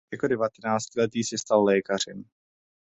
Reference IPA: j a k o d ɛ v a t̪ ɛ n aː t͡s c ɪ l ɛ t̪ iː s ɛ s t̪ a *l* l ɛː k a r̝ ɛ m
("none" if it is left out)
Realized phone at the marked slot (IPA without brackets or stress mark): l